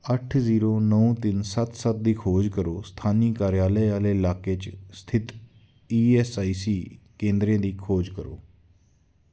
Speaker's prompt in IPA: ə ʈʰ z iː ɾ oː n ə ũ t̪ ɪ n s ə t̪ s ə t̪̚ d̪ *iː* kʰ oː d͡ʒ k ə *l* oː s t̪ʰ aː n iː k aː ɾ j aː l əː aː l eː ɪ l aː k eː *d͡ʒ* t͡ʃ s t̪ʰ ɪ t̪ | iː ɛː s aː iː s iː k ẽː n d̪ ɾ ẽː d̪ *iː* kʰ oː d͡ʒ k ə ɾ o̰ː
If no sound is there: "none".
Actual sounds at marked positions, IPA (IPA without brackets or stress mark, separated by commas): iː, ɾ, none, iː